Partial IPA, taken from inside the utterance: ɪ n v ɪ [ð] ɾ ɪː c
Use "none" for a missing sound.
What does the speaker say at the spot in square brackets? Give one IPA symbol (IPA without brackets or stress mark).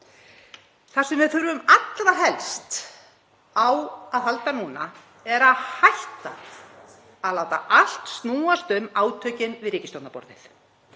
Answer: ð